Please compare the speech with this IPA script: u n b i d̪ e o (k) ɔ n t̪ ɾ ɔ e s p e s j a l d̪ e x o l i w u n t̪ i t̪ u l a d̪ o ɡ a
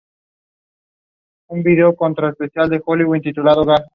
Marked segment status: correct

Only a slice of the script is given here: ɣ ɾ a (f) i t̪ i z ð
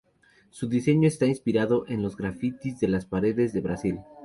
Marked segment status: correct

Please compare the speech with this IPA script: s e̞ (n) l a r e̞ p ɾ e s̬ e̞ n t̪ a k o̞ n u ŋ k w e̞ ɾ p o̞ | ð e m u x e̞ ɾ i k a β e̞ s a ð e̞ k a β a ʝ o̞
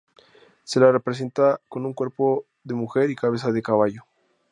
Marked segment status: incorrect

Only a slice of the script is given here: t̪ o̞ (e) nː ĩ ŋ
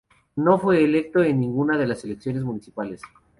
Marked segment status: correct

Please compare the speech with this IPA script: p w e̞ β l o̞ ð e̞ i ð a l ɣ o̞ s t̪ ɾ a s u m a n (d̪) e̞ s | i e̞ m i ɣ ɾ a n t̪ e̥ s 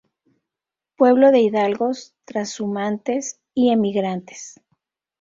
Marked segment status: incorrect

